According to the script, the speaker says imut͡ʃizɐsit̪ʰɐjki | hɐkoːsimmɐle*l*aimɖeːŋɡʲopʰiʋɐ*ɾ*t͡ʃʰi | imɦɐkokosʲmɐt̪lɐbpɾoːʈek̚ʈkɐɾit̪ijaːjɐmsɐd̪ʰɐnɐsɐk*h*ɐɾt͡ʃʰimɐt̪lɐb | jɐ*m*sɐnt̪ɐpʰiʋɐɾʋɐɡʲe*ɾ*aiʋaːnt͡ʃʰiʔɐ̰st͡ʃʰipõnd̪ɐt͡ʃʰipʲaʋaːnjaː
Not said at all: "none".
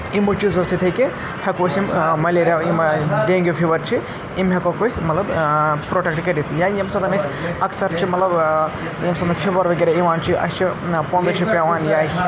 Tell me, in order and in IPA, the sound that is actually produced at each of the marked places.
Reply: ɾ, ɾ, s, m, ɾ

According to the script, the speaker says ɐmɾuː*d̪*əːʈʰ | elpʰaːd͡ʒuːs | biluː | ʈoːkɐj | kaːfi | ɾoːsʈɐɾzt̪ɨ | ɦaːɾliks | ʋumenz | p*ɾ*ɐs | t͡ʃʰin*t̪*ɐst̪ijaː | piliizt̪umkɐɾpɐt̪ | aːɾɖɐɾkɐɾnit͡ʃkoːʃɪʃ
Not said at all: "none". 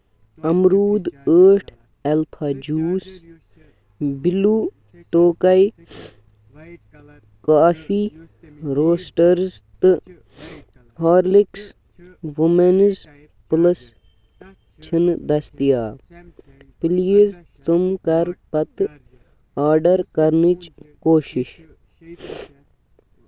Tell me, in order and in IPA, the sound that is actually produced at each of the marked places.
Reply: d̪, l, d̪

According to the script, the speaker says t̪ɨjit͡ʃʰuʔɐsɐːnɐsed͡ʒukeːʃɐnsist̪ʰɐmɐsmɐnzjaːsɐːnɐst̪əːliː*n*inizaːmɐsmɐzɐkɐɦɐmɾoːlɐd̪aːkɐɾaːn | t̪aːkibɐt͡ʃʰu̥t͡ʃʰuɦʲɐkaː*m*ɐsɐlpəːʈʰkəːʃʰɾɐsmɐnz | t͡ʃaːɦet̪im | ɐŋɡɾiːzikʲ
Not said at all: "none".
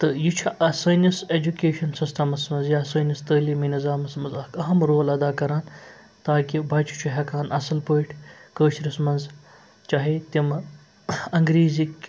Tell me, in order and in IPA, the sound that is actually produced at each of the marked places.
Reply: m, n

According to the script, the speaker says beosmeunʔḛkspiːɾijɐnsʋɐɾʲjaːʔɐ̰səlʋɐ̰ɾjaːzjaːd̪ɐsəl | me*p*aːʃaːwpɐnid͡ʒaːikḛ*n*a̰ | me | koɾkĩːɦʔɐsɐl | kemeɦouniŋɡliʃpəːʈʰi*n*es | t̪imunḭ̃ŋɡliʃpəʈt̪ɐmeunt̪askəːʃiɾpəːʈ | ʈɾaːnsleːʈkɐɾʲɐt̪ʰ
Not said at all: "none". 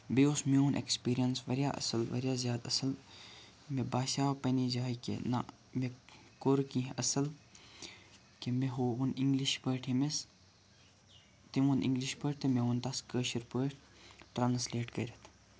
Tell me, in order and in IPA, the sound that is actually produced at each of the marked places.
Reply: b, n, m

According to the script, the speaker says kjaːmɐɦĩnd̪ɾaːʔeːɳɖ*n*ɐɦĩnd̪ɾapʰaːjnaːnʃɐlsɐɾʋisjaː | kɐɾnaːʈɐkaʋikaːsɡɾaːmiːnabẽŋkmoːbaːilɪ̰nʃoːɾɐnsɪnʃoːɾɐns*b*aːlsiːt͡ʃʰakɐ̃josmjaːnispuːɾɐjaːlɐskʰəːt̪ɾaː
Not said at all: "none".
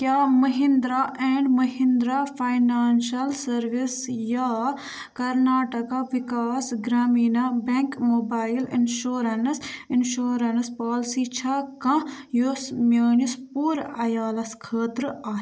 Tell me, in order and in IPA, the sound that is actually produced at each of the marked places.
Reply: m, p

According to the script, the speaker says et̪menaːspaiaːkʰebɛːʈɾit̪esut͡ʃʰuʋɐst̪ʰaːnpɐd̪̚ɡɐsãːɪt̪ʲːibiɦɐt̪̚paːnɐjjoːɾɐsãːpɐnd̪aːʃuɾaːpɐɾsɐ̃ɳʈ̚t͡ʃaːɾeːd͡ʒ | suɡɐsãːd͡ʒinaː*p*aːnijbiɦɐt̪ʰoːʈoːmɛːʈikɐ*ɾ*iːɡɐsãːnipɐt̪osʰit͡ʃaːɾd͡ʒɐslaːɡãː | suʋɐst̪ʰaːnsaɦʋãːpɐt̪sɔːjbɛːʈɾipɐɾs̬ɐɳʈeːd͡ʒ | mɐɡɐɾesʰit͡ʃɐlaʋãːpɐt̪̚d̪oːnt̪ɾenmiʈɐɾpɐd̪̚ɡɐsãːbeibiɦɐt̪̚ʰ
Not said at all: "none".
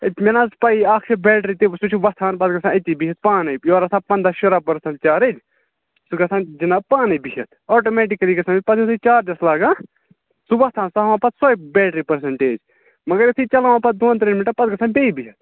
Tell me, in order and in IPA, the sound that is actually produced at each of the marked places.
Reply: p, l

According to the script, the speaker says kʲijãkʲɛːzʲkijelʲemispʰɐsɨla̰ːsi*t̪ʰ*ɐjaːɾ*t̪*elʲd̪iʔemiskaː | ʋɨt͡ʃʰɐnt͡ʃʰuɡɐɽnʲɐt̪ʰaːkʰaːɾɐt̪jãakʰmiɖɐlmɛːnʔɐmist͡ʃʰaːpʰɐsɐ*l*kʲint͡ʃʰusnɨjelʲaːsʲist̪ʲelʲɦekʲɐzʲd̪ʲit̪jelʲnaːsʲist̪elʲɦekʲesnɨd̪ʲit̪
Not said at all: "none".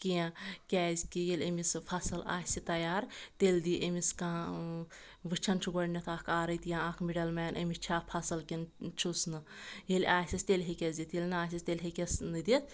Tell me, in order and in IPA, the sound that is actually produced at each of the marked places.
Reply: t̪, t̪, l

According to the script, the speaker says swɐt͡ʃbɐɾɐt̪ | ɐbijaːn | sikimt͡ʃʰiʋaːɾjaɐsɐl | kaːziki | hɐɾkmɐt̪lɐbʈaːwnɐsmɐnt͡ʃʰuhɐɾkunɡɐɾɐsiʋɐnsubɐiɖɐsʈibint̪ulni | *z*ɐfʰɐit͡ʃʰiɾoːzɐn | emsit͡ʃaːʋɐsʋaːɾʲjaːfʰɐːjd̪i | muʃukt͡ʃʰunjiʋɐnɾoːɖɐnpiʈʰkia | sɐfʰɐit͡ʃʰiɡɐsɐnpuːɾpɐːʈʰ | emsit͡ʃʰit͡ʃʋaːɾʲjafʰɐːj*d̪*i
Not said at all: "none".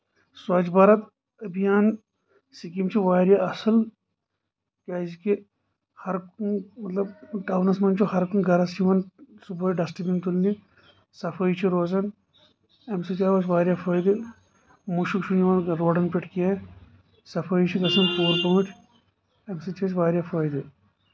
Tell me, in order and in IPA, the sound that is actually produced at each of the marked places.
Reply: s, d̪

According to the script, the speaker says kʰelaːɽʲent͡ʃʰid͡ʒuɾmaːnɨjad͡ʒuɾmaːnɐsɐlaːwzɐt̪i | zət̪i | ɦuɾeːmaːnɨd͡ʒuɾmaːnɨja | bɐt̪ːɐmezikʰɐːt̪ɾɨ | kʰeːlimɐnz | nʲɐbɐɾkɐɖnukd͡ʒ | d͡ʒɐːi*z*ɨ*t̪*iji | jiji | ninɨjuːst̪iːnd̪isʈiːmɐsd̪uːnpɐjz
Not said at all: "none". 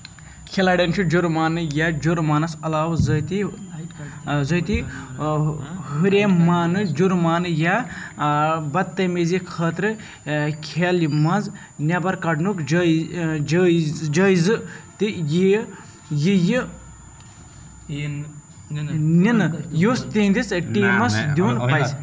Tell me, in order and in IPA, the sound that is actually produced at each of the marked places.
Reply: z, t̪

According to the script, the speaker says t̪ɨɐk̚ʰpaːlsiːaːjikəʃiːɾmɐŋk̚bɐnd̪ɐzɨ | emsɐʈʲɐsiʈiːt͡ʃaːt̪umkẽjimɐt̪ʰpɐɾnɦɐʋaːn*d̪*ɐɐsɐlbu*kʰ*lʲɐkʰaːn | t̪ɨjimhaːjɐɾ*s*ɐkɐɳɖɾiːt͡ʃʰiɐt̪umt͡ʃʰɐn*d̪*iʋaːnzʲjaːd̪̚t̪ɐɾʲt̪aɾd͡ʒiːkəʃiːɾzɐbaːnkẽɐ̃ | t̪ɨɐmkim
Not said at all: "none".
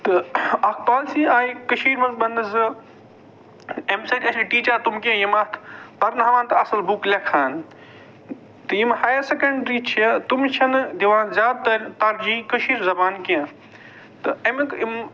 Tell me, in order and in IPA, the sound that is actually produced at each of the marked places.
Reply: t̪, k, s, d̪

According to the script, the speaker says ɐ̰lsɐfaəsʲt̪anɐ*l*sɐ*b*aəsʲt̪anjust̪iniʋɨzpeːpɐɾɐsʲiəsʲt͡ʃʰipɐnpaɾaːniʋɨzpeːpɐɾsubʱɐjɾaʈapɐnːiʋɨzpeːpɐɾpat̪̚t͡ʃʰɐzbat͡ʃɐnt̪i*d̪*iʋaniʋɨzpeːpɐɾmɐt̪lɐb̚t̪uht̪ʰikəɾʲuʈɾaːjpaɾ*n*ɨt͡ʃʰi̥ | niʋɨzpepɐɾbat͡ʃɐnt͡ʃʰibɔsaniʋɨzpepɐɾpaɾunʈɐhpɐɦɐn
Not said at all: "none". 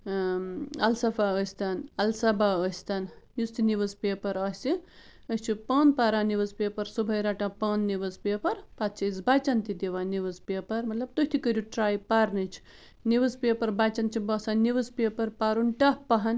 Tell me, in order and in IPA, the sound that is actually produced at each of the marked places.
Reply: l, b, d̪, n

